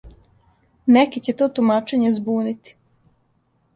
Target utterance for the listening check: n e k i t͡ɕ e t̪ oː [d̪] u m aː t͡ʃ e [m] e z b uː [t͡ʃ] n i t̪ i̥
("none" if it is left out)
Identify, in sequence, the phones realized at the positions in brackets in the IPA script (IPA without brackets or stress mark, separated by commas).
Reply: t̪, ɲ, none